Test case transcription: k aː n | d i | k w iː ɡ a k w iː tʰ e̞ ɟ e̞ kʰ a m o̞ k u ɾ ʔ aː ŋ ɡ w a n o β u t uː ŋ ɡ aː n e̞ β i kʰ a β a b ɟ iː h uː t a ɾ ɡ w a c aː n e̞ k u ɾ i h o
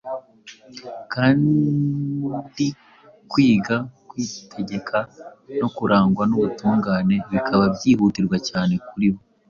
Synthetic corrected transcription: k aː n | d i | k w iː ɡ a k w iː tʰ e̞ ɟ e̞ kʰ a n o̞ k u ɾ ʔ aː ŋ ɡ w a n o β u t uː ŋ ɡ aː n e̞ β i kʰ a β a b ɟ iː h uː t i ɾ ɡ w a c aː n e̞ k u ɾ i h o

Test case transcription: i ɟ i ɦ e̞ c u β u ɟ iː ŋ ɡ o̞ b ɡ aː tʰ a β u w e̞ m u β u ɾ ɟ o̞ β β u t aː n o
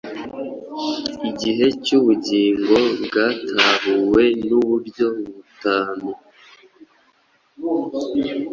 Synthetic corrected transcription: i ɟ i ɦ e̞ c u β u ɟ iː ŋ ɡ o̞ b ɡ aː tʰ a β u w e̞ n u β u ɾ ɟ o̞ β β u t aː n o

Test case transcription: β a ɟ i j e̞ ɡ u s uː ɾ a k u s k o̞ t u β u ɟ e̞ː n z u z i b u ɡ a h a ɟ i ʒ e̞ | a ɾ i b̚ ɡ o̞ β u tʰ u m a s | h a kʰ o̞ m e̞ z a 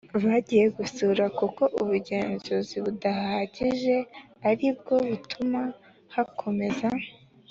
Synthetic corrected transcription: β a ɟ i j e̞ ɡ u s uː ɾ a k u k o̞ ʔ u β u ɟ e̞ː n z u z i β u d a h a ɟ i ʒ e̞ | a ɾ i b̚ ɡ o̞ β u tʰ u m a | h a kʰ o̞ m e̞ z a

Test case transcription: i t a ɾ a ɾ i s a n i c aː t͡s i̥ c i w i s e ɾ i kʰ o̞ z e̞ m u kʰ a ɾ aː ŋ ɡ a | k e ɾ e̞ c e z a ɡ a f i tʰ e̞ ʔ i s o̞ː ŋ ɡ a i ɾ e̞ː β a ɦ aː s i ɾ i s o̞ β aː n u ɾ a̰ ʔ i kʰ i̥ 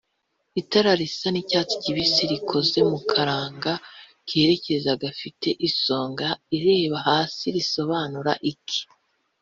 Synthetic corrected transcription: i t a ɾ a ɾ i s a n i c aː t͡s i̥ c i β i s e ɾ i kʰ o̞ z e̞ m u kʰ a ɾ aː ŋ ɡ a | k e ɾ e̞ c e z a ɡ a f i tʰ e̞ ʔ i s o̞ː ŋ ɡ a i ɾ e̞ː β a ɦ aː s i ɾ i s o̞ β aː n u ɾ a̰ ʔ i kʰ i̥

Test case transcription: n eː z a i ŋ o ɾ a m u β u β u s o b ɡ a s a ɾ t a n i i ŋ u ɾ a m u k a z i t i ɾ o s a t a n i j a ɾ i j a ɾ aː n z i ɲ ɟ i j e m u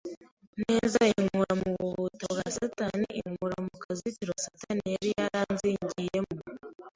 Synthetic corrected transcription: n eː z a i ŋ u ɾ a m u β u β u t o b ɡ a s a t a n i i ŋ u ɾ a m u k a z i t i ɾ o s a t a n i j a ɾ i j a ɾ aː n z i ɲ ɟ i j e m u

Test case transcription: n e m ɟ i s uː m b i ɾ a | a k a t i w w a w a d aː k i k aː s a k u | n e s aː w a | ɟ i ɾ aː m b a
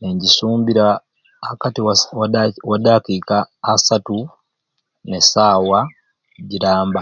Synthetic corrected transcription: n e ɲ ɟ i s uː m b i ɾ a | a k a t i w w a w a d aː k i k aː s a t u | n e s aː w a | ɟ i ɾ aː m b a

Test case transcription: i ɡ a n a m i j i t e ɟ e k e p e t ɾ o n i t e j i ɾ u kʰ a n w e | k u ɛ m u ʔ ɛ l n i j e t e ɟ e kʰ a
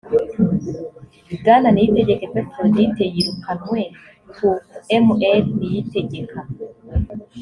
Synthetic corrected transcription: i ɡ a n a n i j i t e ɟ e k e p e t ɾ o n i t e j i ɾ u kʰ a n w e | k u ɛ m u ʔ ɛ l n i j i t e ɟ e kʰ a

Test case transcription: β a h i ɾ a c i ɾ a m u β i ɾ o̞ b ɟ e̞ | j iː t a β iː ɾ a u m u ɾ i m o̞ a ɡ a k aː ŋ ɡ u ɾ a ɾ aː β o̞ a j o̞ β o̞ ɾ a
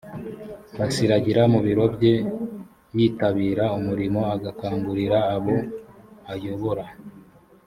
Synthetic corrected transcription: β a s i ɾ a ɟ i ɾ a m u β i ɾ o̞ b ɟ e̞ | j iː t a β iː ɾ a u m u ɾ i m o̞ a ɡ a k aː ŋ ɡ u ɾ i ɾ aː β o̞ a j o̞ β o̞ ɾ a

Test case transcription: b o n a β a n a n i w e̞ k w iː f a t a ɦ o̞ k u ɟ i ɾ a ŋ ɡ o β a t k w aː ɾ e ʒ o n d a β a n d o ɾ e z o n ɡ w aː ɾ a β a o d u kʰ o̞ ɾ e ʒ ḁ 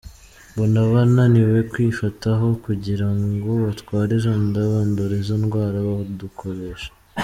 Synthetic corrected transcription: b o n a β a n a n i w e̞ k w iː f a t a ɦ o̞ k u ɟ i ɾ a ŋ ɡ o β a t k w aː ɾ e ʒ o n d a β a n d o ɾ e z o n ɡ w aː ɾ a β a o d u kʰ o̞ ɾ e ʃ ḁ

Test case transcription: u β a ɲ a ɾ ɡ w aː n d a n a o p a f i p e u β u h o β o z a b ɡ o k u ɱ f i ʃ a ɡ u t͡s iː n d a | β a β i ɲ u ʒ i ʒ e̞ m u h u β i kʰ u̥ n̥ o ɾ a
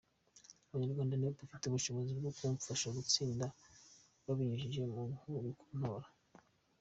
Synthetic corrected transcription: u β a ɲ a ɾ ɡ w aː n d a n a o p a f i t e u β u ʃ o β o z i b ɡ o k u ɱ f a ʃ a ɡ u t͡s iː n d a | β a β i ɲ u ʒ i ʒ e̞ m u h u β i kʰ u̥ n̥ o ɾ a

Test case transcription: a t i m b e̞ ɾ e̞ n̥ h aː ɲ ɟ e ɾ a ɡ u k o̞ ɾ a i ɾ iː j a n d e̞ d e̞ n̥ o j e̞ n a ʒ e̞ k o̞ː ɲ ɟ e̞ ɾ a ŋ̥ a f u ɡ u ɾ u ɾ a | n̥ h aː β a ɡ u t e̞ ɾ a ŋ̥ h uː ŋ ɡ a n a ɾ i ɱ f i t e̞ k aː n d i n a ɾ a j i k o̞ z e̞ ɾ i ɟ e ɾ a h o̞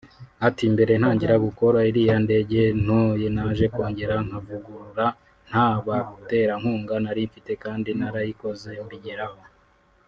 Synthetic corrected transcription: a t i m b e̞ ɾ e̞ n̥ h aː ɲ ɟ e ɾ a ɡ u k o̞ ɾ a i ɾ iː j a n d e̞ ɟ e̞ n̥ o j e̞ n a ʒ e̞ k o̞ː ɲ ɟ e̞ ɾ a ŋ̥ a v u ɡ u ɾ u ɾ a | n̥ h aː β a ɡ u t e̞ ɾ a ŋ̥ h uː ŋ ɡ a n a ɾ i ɱ f i t e̞ k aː n d i n a ɾ a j i k o̞ z e̞ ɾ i ɟ e ɾ a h o̞

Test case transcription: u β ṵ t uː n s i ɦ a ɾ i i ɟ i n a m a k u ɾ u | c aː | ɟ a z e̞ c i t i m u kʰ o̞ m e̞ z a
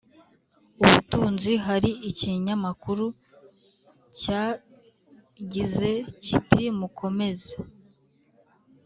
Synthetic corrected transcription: u β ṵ t uː n z i ɦ a ɾ i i c i ɲ a m a k u ɾ u | c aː | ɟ i z e̞ c i t i m u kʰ o̞ m e̞ z e

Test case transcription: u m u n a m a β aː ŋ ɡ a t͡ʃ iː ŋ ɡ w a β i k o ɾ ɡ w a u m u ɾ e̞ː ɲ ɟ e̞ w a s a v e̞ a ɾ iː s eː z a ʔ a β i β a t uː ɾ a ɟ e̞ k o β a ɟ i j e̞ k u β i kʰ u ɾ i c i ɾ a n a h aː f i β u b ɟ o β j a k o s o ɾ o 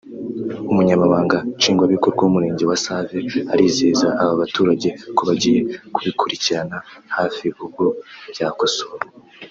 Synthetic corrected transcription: u m u ɲ a m a β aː ŋ ɡ a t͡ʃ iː ŋ ɡ w a β i k o ɾ ɡ w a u m u ɾ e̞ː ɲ ɟ e̞ w a s a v e̞ a ɾ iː z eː z a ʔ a β a β a t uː ɾ a ɟ e̞ k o β a ɟ i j e̞ k u β i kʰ u ɾ i c i ɾ a n a h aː f i β u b ɡ o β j a k o s o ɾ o

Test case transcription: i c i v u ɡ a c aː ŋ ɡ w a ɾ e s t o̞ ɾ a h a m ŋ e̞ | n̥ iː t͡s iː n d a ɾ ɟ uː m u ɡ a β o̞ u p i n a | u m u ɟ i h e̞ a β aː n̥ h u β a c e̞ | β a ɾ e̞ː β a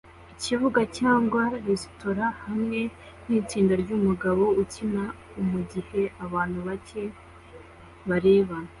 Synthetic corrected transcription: i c i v u ɡ a c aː ŋ ɡ w a ɾ e s t o̞ ɾ a h a m ŋ e̞ | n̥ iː t͡s iː n d a ɾ ɟ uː m u ɡ a β o̞ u c i n a | u m u ɟ i h e̞ a β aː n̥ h u β a c e̞ | β a ɾ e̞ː β a

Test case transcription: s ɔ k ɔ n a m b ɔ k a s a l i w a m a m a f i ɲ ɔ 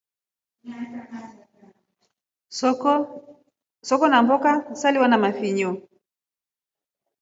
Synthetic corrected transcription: s ɔ k ɔ n a m b ɔ k a s a l i w a n a m a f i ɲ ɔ

